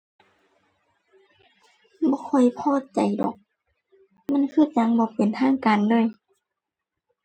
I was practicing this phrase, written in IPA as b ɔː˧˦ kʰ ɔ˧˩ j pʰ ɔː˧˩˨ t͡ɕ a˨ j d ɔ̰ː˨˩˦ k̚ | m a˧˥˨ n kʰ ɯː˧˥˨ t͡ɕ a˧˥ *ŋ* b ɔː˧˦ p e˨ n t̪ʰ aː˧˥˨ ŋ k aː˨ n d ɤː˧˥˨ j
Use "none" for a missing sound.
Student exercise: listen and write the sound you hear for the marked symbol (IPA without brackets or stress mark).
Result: ŋ